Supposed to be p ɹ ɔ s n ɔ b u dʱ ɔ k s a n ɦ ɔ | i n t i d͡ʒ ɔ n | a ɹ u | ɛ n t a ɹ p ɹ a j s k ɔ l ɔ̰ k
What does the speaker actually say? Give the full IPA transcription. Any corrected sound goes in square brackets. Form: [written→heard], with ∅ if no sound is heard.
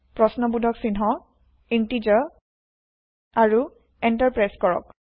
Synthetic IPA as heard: p ɹ ɔ s n ɔ b u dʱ ɔ k s [a→i] n ɦ ɔ | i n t i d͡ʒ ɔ [n→∅] | a ɹ u | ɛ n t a ɹ p ɹ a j s k ɔ [l→ɹ] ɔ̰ k